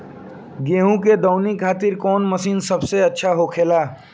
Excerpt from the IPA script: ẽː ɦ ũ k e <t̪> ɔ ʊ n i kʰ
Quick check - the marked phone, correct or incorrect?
incorrect: d̪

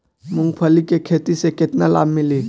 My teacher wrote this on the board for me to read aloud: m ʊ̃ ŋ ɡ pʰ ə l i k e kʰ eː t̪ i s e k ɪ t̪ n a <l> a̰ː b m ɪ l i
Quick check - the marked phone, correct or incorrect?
correct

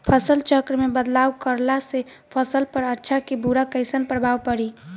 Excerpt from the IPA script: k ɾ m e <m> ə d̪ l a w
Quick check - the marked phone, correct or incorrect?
incorrect: b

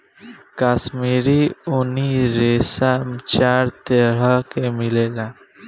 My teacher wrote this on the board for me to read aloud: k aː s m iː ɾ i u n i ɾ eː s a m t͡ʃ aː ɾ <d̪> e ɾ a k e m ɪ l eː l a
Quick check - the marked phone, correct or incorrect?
incorrect: t̪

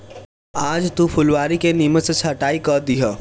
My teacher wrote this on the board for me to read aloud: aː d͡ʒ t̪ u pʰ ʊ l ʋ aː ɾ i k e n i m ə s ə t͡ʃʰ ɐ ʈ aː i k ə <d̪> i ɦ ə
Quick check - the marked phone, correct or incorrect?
correct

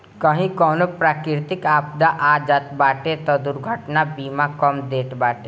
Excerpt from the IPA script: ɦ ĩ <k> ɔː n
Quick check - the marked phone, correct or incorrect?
correct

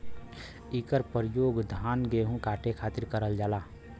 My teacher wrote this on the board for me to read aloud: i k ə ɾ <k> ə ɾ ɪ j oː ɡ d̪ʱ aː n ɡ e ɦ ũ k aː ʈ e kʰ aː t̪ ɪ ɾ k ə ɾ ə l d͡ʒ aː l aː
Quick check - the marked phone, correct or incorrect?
incorrect: p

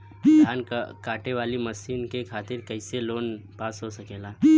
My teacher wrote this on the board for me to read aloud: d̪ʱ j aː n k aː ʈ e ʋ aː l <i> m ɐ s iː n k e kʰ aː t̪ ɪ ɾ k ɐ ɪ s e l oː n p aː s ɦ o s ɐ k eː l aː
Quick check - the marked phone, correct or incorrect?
correct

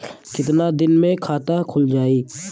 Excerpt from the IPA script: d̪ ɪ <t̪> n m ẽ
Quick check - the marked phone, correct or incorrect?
incorrect: none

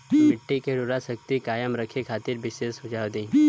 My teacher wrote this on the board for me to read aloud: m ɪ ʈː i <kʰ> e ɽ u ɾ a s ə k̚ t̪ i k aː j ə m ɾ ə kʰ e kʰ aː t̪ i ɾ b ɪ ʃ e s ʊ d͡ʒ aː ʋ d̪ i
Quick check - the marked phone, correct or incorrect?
incorrect: k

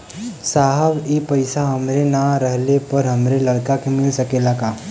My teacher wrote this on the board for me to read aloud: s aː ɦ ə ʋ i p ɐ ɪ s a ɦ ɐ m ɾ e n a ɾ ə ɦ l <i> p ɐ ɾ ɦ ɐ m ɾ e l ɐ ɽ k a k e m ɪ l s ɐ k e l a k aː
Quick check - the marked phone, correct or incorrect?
incorrect: e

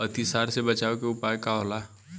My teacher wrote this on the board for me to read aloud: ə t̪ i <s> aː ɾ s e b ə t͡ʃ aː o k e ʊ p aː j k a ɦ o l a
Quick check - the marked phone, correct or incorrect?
correct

